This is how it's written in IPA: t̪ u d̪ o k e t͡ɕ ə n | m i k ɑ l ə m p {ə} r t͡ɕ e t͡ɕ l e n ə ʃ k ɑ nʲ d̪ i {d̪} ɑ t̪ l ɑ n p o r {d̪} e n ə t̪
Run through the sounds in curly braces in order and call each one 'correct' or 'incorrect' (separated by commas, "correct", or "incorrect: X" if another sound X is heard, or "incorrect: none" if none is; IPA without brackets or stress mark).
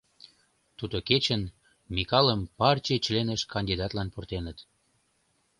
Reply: incorrect: ɑ, correct, incorrect: t̪